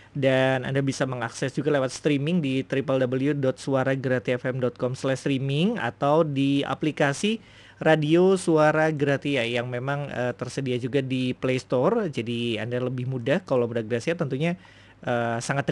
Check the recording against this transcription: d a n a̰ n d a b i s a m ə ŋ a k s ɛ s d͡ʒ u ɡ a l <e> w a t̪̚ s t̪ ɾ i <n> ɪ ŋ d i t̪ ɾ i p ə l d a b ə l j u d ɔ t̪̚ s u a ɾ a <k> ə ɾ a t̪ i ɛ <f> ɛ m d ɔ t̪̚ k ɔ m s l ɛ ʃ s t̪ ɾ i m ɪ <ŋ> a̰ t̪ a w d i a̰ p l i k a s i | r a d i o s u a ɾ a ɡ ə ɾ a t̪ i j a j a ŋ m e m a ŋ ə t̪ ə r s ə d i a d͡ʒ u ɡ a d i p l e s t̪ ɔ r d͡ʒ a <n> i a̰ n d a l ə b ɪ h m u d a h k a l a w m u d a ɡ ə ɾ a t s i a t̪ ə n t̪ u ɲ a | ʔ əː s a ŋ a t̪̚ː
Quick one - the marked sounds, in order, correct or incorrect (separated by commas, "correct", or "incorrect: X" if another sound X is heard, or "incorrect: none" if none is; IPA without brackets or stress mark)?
correct, incorrect: m, incorrect: ɡ, correct, correct, incorrect: d